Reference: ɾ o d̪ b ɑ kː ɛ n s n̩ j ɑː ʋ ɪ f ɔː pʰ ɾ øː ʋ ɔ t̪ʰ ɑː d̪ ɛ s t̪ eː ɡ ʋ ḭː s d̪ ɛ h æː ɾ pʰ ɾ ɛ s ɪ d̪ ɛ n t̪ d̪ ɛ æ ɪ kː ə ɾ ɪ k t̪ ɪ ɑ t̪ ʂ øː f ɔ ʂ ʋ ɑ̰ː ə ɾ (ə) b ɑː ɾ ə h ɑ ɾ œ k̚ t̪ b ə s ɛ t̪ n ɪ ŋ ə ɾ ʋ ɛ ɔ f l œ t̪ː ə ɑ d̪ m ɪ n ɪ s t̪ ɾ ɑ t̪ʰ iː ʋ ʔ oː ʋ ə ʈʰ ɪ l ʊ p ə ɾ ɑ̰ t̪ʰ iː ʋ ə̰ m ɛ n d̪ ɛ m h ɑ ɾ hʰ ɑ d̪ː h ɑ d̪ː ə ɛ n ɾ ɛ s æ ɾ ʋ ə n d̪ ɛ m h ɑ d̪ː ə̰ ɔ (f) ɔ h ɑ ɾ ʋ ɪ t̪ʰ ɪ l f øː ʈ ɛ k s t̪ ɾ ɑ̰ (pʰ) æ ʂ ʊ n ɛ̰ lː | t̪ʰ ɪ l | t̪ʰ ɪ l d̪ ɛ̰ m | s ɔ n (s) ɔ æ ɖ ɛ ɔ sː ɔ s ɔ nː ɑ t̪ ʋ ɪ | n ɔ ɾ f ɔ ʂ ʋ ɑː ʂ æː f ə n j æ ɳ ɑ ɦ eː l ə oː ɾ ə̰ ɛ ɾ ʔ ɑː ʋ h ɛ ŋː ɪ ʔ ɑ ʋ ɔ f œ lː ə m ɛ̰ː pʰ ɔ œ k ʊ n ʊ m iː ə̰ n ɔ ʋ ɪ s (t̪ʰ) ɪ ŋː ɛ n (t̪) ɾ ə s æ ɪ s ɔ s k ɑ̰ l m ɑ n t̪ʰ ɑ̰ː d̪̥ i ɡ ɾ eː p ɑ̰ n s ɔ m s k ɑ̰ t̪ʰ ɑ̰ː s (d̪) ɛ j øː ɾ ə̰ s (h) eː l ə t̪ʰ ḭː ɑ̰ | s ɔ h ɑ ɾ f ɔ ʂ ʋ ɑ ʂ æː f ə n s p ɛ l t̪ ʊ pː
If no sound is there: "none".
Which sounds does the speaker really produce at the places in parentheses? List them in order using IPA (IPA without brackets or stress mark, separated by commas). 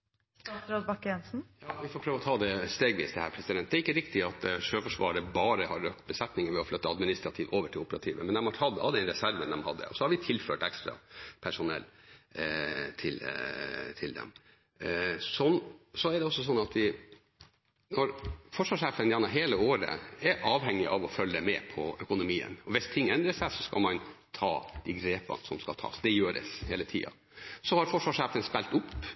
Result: ə, s, pʰ, s, t̪ʰ, d̪, d̪, h